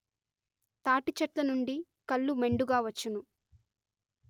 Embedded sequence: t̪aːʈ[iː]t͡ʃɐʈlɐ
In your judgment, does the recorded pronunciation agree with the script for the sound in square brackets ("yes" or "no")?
no